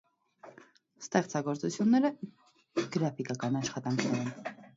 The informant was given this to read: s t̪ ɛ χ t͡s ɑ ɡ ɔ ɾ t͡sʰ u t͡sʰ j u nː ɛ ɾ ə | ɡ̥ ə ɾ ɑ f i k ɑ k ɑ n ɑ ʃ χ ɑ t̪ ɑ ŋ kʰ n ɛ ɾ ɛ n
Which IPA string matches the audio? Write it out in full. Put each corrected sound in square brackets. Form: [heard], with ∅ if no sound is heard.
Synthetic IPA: s t̪ ɛ χ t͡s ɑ ɡ ɔ ɾ [t͡s] u t͡sʰ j u nː ɛ ɾ ə | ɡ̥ ə ɾ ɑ f i k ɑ k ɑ n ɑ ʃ χ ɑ t̪ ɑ ŋ kʰ n ɛ ɾ ɛ n